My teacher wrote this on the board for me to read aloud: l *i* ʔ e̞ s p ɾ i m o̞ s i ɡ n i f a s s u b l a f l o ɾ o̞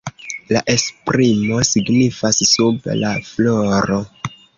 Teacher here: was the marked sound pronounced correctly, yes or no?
no